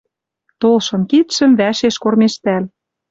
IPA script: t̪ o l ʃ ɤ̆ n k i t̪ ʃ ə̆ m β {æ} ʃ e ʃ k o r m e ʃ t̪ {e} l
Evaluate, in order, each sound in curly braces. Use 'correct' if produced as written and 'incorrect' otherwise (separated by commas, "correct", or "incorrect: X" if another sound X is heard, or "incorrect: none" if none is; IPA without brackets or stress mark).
correct, incorrect: æ